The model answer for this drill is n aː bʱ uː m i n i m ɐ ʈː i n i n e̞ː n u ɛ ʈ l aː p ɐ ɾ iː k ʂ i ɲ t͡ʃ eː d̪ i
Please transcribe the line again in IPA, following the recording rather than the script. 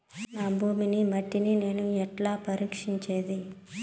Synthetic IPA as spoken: n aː bʱ uː m i n i m ɐ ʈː i n i n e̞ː n u ɛ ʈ l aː p ɐ ɾ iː k ʂ i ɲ t͡ʃ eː d̪ i